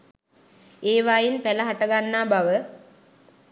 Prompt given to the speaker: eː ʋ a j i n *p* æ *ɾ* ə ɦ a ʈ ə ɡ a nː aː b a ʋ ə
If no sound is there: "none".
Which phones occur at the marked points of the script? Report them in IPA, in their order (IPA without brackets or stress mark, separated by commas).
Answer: p, l